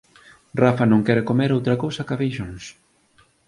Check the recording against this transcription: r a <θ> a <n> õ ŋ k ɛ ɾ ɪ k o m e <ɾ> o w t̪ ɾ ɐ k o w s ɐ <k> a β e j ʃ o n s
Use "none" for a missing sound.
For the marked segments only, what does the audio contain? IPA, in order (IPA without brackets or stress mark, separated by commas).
f, n, ɾ, k